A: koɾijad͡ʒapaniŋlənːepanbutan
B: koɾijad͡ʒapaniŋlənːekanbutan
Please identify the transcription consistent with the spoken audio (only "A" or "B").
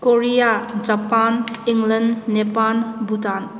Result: A